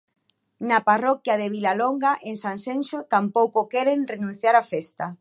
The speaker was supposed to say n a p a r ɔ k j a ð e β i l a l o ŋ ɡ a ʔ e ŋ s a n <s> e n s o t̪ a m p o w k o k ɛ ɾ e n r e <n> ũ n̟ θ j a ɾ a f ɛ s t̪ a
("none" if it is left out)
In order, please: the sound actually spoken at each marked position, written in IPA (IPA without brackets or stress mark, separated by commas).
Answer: s, n